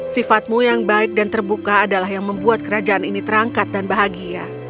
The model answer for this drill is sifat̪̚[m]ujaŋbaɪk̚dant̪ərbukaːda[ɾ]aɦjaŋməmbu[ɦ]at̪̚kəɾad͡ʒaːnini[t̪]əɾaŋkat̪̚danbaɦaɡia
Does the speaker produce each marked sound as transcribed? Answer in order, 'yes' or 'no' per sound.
yes, no, no, yes

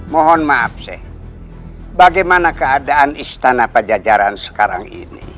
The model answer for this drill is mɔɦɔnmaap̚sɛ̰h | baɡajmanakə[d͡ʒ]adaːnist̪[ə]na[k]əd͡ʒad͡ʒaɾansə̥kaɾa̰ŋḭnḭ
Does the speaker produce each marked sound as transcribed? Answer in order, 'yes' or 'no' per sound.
no, no, no

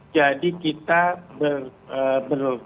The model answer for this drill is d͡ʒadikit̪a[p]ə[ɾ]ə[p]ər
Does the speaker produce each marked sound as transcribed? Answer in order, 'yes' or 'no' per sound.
no, no, no

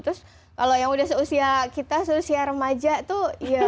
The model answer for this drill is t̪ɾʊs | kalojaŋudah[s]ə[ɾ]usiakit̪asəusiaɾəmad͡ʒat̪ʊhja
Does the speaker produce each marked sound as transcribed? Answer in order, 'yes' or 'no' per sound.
yes, no

